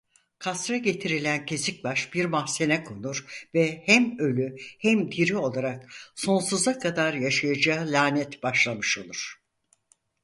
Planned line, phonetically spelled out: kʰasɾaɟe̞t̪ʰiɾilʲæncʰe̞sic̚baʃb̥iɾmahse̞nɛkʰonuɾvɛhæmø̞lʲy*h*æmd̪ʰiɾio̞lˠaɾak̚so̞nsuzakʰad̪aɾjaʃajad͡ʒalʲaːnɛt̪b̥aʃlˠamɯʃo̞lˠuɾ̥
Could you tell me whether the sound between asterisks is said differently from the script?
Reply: no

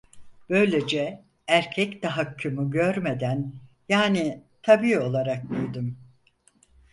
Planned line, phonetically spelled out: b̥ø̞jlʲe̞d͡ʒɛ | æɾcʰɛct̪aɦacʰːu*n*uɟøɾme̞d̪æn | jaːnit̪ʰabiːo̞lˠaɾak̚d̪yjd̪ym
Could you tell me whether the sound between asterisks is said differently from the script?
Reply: yes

